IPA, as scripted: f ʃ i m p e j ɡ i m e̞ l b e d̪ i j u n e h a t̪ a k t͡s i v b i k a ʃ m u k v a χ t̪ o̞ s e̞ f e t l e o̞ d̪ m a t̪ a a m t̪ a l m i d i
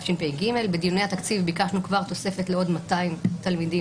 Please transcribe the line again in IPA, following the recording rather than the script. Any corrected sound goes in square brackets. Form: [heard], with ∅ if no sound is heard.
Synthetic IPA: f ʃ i [n] p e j ɡ i m e̞ l b e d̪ i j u n e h a t̪ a k t͡s i v b i k a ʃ [n] u k v a [ʁ] t̪ o̞ s e̞ f e t l e o̞ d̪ m a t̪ a [i] m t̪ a l m i d i